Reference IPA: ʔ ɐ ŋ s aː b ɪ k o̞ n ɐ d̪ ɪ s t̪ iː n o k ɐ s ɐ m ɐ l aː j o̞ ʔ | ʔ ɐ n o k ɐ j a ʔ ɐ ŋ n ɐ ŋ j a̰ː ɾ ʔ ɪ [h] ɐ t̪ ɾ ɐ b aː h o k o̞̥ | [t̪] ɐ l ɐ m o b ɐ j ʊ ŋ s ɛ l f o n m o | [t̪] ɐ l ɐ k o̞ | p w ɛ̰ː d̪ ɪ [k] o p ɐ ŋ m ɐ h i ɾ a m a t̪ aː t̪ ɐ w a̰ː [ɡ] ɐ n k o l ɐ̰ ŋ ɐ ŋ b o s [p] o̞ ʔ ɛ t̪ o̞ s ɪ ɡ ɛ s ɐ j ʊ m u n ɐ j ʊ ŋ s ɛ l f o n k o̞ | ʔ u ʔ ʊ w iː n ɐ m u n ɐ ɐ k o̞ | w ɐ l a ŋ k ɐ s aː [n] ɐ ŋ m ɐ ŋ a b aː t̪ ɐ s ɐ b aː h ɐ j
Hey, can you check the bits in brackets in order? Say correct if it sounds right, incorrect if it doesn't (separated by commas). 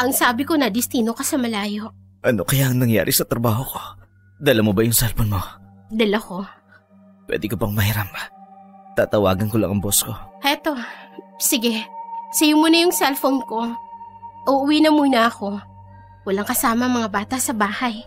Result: incorrect, incorrect, incorrect, correct, correct, incorrect, incorrect